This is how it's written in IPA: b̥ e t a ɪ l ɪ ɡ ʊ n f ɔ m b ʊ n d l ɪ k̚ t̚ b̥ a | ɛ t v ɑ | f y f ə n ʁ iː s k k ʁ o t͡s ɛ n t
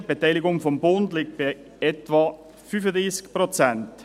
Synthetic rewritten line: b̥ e t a ɪ l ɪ ɡ ʊ ŋ f ɔ m b ʊ n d l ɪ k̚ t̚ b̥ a | ɛ t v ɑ | f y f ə d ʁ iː s k p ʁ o t͡s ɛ n t